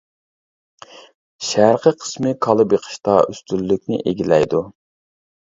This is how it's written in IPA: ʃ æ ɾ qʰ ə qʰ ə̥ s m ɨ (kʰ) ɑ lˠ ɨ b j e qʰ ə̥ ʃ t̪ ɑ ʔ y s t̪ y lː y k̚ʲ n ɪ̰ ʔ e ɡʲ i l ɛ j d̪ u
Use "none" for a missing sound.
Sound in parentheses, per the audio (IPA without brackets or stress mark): kʰ